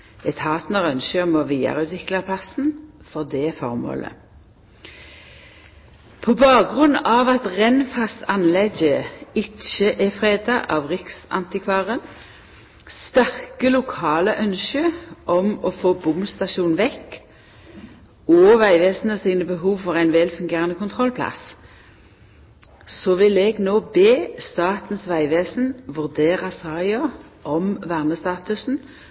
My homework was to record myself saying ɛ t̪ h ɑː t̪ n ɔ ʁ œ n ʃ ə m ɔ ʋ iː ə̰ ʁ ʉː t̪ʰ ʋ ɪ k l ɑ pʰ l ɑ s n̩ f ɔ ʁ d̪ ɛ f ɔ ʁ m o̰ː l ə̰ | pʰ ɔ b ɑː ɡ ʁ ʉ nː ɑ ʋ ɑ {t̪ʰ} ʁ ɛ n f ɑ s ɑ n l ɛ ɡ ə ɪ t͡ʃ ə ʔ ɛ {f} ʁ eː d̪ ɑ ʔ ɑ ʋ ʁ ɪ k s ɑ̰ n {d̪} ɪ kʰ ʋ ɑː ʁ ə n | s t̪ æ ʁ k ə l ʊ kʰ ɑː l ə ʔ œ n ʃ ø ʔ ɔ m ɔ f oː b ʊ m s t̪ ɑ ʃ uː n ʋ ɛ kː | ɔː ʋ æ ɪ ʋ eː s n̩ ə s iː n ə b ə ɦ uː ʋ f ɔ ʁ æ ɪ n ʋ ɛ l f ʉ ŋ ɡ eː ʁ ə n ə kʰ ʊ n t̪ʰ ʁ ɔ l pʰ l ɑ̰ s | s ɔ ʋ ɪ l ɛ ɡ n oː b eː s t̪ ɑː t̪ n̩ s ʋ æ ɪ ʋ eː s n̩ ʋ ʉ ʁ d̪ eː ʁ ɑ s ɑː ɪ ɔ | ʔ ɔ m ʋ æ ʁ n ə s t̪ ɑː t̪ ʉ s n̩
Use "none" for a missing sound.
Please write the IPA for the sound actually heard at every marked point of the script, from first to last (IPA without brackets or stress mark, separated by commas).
t̪, f, t̪